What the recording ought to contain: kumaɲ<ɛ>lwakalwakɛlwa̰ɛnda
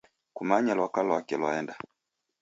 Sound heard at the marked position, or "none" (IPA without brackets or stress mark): a